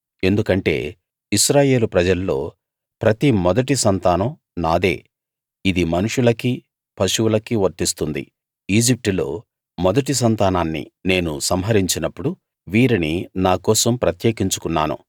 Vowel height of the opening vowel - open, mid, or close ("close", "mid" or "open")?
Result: mid